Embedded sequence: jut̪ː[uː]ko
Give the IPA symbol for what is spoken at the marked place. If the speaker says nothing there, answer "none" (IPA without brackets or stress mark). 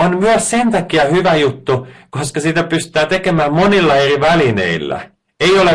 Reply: u